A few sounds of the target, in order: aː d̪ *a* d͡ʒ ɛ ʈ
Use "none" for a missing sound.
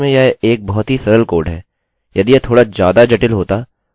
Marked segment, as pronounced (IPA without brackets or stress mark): a